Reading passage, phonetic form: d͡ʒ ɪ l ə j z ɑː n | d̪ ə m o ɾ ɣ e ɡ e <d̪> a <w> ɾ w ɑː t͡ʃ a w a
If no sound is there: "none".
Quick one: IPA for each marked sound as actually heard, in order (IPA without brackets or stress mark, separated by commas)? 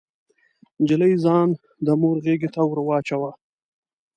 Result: t̪, w